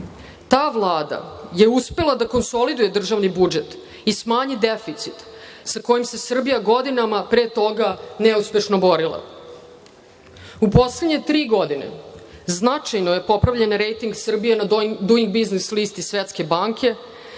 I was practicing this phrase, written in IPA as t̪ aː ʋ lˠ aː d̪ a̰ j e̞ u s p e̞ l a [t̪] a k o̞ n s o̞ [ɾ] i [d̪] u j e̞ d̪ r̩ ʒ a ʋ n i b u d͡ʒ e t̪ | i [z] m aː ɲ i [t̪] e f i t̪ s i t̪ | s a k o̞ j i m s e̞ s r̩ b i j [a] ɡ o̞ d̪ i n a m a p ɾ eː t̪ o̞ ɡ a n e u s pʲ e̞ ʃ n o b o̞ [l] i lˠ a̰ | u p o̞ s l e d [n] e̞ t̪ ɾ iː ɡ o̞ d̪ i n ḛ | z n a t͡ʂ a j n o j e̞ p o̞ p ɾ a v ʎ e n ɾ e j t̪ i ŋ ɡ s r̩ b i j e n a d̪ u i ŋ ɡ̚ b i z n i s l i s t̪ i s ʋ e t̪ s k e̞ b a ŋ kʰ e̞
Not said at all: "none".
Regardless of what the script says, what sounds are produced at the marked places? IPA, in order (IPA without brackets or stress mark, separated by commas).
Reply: d̪, l, d̪, s, d̪, a, ɾ, ɲ